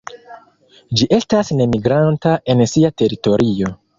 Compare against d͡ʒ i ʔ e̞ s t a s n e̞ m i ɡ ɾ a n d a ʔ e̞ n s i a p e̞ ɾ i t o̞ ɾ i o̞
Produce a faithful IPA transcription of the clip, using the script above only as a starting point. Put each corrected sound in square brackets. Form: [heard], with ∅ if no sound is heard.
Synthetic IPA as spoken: d͡ʒ i ʔ e̞ s t a s n e̞ m i ɡ ɾ a n [t] a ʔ e̞ n s i a [t] e̞ ɾ i t o̞ ɾ i o̞